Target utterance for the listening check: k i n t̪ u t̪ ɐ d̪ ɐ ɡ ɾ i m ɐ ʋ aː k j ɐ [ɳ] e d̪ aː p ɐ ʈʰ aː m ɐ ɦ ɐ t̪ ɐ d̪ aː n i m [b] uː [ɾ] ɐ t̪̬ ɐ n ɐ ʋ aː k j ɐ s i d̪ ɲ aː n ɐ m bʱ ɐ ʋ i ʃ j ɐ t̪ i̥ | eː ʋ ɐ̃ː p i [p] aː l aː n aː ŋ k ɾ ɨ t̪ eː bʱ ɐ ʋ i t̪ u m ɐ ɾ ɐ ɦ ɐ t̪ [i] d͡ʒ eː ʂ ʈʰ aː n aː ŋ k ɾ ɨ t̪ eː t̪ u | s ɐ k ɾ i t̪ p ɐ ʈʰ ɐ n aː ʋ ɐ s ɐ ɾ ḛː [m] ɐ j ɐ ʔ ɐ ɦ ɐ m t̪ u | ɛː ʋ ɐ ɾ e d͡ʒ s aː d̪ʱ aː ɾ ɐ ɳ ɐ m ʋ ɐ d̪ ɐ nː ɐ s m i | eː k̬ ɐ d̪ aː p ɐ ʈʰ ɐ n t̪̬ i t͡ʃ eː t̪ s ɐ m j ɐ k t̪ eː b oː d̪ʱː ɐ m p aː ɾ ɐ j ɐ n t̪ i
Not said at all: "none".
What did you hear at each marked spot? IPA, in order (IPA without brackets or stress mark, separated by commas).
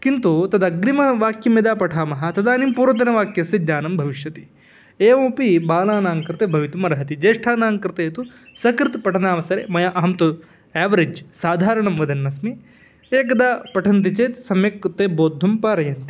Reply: m, p, ɾ, b, i, m